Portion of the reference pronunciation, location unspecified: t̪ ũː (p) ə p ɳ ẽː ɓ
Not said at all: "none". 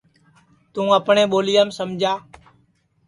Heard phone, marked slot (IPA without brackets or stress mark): none